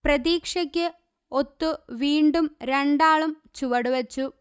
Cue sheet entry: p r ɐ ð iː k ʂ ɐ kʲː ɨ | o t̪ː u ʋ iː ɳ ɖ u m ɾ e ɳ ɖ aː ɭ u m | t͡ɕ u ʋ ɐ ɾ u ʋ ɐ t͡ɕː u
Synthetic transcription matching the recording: p r ɐ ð iː k ʂ ɐ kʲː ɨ | o t̪ː u ʋ iː ɳ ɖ u m ɾ e ɳ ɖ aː ɭ u m | t͡ɕ u ʋ ɐ ɽ u ʋ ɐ t͡ɕː u